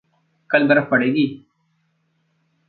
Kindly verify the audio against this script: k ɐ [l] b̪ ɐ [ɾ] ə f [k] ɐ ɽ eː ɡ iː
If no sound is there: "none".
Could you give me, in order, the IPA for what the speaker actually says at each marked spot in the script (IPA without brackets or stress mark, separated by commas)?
l, ɾ, p